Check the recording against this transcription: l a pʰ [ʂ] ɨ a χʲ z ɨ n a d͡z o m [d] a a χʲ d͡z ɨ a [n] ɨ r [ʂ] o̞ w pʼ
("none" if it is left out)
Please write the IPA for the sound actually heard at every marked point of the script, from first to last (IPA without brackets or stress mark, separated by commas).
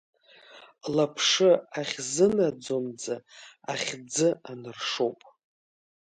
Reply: ʂ, d͡z, n, ʂ